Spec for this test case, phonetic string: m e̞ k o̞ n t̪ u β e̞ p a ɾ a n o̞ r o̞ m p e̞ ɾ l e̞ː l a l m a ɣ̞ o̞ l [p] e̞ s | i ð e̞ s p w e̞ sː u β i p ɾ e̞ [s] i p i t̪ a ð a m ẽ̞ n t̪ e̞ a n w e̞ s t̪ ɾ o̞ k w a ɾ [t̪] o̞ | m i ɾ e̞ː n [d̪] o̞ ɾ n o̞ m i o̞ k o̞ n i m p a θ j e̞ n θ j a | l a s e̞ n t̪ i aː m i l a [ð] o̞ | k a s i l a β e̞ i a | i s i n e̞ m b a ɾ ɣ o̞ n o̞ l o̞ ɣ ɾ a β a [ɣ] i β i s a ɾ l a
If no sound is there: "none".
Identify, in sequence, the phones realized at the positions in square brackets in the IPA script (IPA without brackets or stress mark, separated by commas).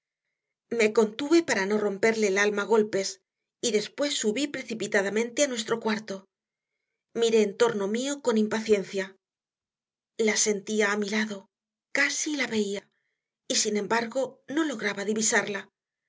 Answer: p, θ, t̪, t̪, ð, ð